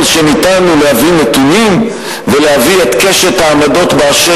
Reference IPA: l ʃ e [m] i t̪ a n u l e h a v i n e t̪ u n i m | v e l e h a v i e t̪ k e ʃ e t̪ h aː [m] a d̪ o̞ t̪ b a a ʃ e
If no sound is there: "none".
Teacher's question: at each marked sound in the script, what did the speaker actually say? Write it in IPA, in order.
n, m

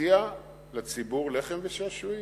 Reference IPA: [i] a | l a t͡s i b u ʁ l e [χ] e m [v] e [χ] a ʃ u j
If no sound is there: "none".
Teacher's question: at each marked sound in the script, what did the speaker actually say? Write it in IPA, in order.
i, χ, v, ʃ

